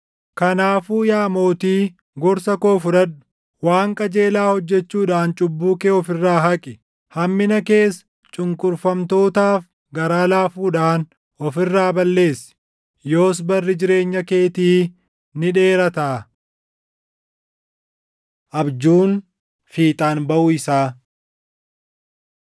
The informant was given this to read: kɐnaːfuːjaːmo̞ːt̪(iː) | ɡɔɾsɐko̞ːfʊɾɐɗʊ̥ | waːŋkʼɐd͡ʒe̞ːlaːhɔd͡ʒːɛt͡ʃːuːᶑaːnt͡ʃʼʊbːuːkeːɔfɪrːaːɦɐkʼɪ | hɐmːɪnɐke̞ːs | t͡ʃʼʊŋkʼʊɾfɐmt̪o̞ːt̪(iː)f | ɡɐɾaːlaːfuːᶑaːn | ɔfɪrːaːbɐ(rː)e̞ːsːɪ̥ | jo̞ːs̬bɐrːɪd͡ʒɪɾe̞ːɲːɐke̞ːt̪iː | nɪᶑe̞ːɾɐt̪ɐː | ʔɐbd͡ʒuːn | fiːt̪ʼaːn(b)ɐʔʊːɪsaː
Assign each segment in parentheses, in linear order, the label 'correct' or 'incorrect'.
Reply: correct, incorrect, incorrect, correct

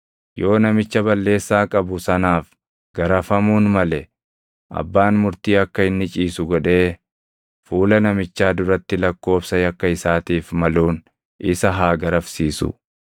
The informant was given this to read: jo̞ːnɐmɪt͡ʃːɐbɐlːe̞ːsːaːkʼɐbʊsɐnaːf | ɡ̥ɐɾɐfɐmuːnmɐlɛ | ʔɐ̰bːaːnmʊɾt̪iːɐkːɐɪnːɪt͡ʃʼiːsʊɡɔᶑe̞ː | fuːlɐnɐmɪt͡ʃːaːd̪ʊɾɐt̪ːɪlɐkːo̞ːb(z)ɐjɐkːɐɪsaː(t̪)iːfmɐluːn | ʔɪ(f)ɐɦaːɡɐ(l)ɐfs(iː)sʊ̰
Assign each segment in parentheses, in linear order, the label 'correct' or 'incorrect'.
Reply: incorrect, correct, incorrect, incorrect, correct

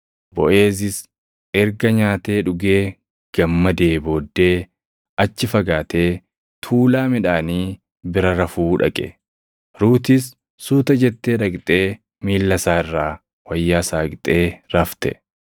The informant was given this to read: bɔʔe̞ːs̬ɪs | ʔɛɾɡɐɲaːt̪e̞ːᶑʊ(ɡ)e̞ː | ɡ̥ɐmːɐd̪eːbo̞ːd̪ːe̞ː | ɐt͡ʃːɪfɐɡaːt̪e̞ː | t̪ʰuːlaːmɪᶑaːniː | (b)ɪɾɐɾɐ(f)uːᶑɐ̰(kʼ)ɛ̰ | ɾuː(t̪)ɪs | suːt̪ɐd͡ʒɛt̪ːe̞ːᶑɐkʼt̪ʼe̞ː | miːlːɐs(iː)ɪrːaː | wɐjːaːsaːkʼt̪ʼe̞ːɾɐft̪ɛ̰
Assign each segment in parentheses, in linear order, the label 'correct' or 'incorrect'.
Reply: correct, correct, correct, correct, correct, incorrect

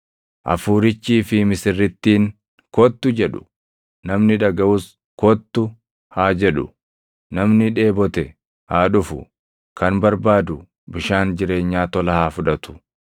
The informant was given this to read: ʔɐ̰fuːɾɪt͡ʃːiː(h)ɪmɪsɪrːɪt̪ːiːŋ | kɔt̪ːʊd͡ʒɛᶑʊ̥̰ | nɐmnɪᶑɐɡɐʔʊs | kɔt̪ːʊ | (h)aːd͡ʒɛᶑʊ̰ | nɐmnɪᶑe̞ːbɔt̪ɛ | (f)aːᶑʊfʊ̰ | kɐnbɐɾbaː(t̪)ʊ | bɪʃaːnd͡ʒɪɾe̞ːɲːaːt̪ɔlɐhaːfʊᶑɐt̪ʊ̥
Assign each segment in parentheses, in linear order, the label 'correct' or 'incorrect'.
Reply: incorrect, correct, incorrect, incorrect

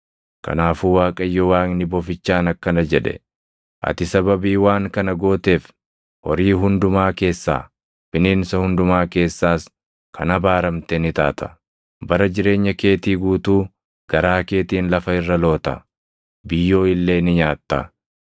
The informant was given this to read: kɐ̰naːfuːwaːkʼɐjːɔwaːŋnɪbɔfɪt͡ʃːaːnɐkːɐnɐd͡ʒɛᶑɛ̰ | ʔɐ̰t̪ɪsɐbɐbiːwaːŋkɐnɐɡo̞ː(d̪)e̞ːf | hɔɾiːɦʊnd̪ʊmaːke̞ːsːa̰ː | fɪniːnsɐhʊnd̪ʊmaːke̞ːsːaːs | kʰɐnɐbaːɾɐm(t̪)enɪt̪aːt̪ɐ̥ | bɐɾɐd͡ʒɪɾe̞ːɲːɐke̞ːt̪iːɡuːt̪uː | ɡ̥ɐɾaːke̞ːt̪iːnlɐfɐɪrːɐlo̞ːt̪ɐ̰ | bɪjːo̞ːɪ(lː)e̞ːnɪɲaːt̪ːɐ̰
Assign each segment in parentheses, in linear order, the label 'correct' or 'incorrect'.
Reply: incorrect, correct, correct

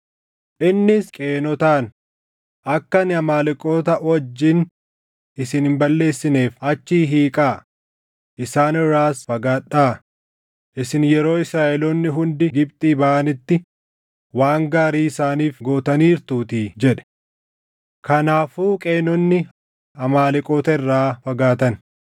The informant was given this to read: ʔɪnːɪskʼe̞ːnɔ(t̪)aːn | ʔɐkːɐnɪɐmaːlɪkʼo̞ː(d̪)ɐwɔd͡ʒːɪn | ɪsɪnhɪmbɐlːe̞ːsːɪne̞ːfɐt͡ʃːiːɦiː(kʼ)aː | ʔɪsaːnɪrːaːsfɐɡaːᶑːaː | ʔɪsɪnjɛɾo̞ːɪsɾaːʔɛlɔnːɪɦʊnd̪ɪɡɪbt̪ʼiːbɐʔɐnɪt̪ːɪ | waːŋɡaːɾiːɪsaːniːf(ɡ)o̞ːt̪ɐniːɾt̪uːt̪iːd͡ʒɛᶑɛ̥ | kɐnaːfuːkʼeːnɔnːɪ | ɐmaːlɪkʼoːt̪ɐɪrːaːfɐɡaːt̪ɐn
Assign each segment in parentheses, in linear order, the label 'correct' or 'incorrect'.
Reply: correct, incorrect, correct, correct

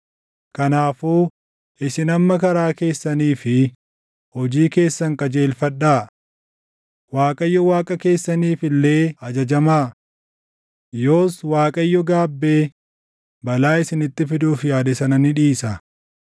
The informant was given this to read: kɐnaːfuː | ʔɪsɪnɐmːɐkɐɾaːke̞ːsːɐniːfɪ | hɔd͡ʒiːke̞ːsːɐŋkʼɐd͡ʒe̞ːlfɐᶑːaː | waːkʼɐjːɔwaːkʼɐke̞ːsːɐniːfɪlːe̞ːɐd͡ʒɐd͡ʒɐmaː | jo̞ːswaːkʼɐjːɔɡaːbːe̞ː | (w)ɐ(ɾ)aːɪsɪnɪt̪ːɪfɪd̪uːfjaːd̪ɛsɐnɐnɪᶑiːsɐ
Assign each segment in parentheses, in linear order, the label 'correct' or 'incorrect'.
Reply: incorrect, incorrect

